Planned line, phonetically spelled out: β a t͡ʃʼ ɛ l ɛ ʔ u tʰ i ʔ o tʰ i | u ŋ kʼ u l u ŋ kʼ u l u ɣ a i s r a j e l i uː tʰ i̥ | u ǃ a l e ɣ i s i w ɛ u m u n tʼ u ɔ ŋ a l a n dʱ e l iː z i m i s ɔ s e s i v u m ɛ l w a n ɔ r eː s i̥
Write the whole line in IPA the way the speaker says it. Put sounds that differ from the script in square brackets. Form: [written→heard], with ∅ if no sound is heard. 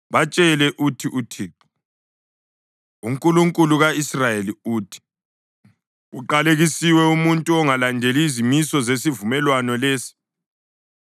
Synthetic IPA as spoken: β a t͡ʃʼ ɛ l ɛ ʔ u tʰ i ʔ [o→u] tʰ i | u ŋ kʼ u l u ŋ kʼ u l u ɣ a i s r a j e l i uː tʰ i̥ | u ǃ a l e ɣ i s i w ɛ u m u n tʼ u ɔ ŋ a l a n dʱ e l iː z i m i s ɔ [s→z] e s i v u m ɛ l w a n ɔ [r→l] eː s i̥

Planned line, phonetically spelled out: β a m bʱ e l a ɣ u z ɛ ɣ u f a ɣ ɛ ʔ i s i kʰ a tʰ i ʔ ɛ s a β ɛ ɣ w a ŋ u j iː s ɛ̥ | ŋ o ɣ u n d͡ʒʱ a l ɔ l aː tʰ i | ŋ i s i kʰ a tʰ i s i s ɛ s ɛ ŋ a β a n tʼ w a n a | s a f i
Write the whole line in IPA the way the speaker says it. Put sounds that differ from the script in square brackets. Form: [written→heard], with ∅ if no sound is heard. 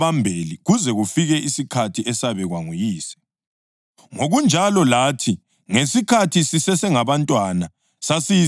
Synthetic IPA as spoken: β a m bʱ e l [a→i] ɣ u z ɛ ɣ u f [a→i] ɣ ɛ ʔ i s i kʰ a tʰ i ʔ ɛ s a β ɛ ɣ w a ŋ u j iː s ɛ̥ | ŋ o ɣ u n d͡ʒʱ a l ɔ l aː tʰ i | ŋ [i→e] s i kʰ a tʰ i s i s ɛ s ɛ ŋ a β a n tʼ w a n a | s a [f→s] i

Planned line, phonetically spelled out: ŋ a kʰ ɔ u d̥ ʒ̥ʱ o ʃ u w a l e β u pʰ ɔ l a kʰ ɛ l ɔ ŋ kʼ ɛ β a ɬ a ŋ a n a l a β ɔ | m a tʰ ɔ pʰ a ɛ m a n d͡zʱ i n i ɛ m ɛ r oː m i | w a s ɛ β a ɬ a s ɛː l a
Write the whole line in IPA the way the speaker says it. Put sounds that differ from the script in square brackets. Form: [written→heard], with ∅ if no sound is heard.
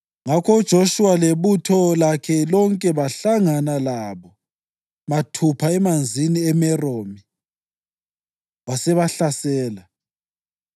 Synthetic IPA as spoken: ŋ a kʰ ɔ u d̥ ʒ̥ʱ o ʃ u w a l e β u [pʰ→tʰ] ɔ l a kʰ ɛ l ɔ ŋ kʼ ɛ β a ɬ a ŋ a n a l a β ɔ | m a tʰ [ɔ→u] pʰ a ɛ m a n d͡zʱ i n i ɛ m ɛ r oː m i | w a s ɛ β a ɬ a s ɛː l a

